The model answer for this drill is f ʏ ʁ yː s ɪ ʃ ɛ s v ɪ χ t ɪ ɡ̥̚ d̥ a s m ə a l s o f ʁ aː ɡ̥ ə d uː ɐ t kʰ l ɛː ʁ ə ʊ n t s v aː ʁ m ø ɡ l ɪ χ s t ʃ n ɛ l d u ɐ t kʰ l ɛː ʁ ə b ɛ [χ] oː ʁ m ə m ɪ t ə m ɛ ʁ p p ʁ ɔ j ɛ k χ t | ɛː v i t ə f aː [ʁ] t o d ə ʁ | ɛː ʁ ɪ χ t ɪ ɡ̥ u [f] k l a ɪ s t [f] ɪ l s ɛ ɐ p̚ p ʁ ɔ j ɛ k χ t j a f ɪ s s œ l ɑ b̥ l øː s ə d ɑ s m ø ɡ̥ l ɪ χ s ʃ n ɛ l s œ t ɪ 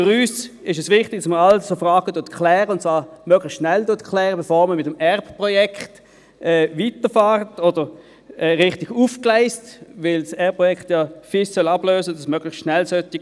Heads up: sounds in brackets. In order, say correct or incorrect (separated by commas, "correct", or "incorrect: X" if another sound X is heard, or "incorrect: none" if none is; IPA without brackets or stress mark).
incorrect: f, correct, correct, incorrect: v